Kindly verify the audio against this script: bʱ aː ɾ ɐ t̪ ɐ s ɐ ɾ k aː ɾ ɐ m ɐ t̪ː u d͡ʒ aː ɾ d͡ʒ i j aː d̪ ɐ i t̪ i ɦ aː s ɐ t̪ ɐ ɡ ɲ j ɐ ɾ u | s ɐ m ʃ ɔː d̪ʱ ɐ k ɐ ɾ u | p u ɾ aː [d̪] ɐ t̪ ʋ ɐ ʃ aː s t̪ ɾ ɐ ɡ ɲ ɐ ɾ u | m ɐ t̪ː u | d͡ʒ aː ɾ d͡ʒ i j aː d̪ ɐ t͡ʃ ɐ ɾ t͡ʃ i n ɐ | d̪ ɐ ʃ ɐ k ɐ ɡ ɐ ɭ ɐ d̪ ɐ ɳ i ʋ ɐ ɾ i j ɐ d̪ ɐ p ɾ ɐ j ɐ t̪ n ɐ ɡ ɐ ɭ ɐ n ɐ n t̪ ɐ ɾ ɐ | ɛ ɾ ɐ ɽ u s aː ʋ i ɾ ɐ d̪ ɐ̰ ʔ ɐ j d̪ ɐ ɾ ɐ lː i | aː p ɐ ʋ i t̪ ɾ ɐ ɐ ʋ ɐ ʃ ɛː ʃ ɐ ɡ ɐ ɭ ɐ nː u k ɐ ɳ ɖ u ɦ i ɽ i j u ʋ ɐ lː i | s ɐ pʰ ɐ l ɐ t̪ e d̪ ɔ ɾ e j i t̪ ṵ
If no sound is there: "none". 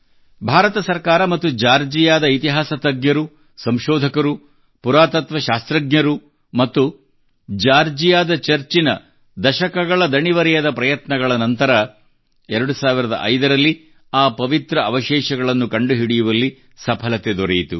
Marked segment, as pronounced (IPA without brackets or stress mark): t̪